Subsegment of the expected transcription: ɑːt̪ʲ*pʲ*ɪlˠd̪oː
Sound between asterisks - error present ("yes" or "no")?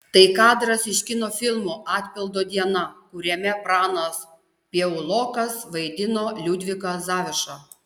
no